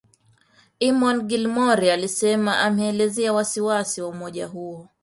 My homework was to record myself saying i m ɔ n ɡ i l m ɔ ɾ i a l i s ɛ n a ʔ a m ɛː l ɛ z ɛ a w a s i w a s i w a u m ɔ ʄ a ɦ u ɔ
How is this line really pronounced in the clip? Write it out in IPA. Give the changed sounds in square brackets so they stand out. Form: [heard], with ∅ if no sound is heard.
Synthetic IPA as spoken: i m ɔ n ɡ i l m ɔ ɾ i a l i s ɛ [m] a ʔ a m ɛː l ɛ z ɛ a w a s i w a s i w a u m ɔ ʄ a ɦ u ɔ